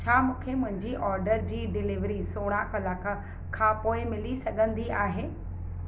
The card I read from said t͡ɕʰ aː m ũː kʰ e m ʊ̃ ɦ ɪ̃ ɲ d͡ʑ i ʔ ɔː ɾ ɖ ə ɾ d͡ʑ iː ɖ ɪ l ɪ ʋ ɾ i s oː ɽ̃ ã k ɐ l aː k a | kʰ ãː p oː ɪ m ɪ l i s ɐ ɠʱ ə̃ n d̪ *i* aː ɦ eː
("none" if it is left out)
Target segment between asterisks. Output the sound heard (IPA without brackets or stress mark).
i